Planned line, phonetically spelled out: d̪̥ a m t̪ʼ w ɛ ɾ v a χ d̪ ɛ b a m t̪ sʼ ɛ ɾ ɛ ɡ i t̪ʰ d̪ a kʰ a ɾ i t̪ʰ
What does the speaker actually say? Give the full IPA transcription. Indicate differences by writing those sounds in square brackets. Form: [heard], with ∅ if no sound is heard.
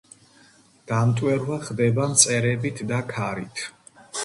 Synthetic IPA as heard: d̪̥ a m t̪ʼ w ɛ ɾ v a χ d̪ ɛ b a m t̪ sʼ ɛ ɾ ɛ [b] i t̪ʰ d̪ a kʰ a ɾ i t̪ʰ